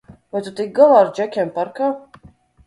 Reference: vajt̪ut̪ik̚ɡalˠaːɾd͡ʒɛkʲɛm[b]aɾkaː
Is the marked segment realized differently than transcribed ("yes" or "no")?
yes